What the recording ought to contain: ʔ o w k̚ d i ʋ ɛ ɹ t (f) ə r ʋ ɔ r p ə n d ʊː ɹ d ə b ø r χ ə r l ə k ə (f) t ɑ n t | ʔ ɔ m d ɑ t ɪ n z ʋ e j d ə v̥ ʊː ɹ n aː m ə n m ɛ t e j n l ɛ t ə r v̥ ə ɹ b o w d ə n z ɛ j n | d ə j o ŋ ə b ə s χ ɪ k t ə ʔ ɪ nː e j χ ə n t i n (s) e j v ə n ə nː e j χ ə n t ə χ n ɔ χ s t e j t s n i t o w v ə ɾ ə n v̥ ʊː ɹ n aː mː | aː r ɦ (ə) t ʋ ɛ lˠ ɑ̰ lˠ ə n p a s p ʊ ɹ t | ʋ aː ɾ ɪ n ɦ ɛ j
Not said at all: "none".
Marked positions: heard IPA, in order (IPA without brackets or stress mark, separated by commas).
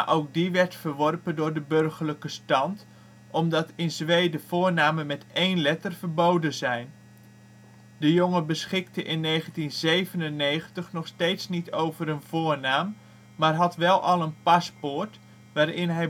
f, s, z, ɑ